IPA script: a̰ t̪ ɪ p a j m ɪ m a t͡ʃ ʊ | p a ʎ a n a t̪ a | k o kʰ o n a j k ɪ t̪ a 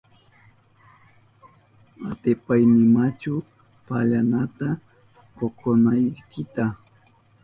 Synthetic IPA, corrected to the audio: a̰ t̪ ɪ p a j n ɪ m a t͡ʃ ʊ | p a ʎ a n a t̪ a | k o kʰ o n a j k ɪ t̪ a